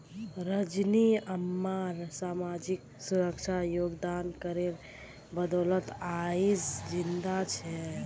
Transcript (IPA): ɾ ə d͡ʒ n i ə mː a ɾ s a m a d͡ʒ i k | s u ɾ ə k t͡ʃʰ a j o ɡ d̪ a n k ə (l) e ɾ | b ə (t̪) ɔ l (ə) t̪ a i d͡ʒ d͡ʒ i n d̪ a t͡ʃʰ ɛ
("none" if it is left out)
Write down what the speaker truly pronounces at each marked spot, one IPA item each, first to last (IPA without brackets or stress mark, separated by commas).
ɾ, d̪, ə